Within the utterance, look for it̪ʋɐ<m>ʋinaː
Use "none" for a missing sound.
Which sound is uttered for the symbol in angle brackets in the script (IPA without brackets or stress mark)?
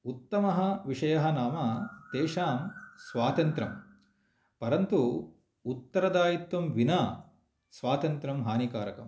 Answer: m